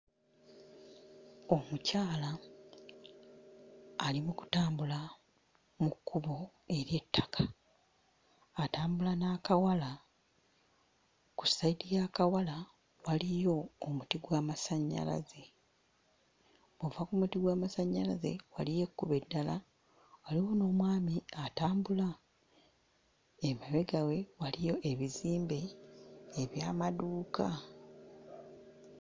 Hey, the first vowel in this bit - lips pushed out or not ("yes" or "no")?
yes